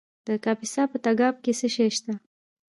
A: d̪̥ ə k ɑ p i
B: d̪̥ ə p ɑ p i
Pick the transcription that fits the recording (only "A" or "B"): A